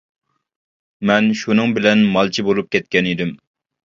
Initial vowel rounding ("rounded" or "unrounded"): unrounded